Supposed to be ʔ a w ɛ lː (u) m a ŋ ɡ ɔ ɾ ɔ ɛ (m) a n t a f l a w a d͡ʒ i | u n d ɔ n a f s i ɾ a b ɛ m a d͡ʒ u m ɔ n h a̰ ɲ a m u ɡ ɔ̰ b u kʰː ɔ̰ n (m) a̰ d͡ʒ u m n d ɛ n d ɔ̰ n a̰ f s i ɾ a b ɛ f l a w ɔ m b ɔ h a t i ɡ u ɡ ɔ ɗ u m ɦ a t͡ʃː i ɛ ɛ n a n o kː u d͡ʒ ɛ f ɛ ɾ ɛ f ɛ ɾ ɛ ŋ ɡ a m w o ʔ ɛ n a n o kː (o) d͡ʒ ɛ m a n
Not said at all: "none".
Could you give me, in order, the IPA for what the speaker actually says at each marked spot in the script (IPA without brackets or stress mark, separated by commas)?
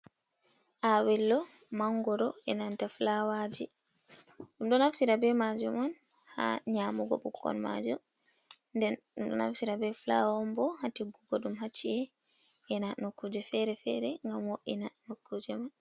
ɔ, n, m, u